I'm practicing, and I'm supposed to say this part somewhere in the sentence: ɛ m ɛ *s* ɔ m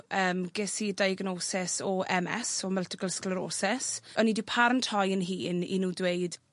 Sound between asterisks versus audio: correct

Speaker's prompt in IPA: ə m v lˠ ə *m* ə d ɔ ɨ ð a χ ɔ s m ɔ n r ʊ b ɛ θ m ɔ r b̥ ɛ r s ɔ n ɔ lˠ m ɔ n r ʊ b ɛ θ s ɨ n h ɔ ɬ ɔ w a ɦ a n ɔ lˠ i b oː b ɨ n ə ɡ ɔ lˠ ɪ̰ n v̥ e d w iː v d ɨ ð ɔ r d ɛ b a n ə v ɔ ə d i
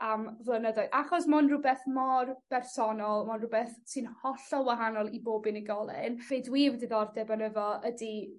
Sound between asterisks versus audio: incorrect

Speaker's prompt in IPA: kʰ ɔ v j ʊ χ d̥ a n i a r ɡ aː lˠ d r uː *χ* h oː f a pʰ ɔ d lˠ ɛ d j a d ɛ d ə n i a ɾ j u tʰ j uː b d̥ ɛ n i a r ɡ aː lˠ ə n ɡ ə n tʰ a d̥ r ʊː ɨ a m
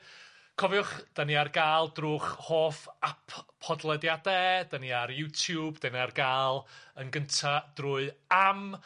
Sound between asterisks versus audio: correct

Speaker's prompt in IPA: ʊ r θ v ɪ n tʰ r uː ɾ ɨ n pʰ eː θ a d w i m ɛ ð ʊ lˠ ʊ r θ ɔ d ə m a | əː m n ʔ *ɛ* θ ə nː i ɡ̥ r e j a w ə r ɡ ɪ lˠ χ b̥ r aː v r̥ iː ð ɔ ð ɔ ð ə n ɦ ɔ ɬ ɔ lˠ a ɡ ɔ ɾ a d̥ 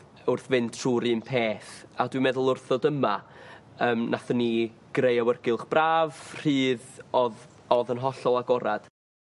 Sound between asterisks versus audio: incorrect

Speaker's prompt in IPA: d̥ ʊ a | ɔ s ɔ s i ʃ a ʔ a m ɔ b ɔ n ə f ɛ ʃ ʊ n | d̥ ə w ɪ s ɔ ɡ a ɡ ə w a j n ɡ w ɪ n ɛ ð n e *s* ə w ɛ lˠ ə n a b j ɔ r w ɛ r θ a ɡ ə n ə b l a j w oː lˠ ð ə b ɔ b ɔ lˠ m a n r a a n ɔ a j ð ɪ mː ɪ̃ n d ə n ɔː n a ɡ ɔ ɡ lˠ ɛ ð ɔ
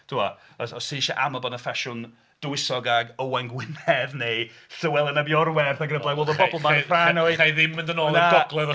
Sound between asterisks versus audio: correct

